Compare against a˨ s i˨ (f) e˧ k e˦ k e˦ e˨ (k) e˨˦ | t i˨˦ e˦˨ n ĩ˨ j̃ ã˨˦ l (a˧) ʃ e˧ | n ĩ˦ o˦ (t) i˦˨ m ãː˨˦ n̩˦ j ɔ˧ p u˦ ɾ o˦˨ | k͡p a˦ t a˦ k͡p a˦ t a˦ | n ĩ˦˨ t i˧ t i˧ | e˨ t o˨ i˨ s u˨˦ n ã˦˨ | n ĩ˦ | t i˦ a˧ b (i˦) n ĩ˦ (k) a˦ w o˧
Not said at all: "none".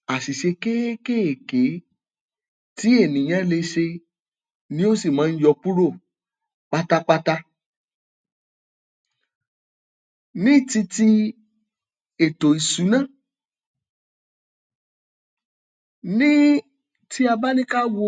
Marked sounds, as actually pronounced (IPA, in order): ʃ, k, e˧, s, a˦, k

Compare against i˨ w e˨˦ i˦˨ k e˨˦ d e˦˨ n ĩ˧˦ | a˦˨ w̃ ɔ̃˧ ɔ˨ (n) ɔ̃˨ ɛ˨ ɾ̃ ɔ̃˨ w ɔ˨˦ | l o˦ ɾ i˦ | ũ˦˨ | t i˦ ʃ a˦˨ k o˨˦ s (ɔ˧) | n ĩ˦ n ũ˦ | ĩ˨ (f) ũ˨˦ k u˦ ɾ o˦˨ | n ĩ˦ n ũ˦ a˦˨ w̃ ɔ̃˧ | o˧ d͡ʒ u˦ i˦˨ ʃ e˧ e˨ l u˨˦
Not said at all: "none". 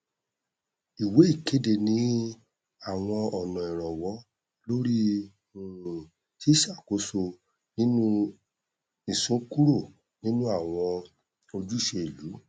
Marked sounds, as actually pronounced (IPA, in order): n, o˧, s

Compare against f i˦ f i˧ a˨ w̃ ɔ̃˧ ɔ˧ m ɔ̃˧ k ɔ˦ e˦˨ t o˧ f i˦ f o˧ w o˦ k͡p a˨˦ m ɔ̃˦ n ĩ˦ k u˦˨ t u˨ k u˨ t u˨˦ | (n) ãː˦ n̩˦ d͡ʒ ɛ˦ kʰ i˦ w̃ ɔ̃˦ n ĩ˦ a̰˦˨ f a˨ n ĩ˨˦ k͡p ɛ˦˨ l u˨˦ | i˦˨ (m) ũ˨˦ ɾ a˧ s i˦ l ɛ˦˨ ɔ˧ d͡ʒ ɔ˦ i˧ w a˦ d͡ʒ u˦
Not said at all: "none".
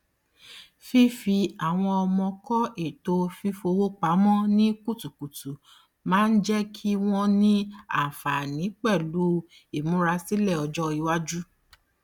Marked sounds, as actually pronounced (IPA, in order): m, m

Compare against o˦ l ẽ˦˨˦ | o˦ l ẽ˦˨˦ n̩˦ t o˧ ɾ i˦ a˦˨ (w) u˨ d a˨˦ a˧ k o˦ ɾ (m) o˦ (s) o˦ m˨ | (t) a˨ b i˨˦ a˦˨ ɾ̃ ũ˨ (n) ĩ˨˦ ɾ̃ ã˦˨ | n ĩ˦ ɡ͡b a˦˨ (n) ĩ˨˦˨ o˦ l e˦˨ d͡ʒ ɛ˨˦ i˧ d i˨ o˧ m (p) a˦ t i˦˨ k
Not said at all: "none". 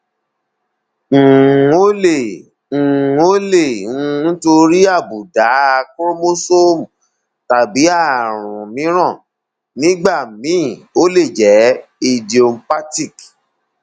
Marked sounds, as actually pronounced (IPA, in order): b, m, s, t, m, m, p

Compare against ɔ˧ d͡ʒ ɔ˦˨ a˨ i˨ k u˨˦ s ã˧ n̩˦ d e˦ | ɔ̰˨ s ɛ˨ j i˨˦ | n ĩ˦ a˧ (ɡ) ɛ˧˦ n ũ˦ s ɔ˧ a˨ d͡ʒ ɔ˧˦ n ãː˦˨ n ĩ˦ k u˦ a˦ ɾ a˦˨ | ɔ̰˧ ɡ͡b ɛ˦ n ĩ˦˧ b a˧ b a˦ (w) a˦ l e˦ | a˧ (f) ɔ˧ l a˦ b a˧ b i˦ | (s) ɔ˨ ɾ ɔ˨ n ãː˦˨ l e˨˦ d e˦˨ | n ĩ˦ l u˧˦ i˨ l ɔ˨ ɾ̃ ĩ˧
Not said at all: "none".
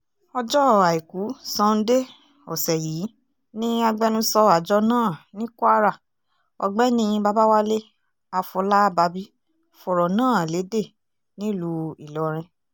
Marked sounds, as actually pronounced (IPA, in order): ɡ͡b, w, f, f

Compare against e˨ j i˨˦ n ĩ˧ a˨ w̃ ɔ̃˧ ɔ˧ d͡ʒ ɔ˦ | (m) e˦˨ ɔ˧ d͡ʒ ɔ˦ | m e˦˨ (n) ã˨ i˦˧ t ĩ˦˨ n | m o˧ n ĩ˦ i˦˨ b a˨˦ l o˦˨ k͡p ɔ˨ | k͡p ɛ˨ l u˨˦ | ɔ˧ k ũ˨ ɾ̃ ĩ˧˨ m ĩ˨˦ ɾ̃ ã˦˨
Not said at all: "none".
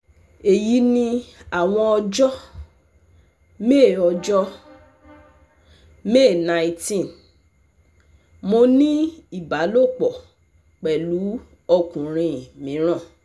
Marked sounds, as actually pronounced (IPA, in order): m, n

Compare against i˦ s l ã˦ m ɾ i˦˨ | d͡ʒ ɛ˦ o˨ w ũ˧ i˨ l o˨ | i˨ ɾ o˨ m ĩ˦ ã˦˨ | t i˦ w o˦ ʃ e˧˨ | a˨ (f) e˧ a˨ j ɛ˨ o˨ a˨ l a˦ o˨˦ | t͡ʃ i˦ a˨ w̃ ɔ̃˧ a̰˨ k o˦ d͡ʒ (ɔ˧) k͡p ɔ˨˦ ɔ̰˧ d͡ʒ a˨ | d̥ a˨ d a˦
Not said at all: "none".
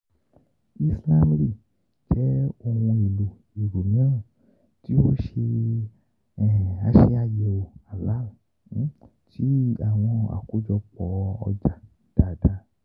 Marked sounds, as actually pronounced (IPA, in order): ʃ, ɔ˧

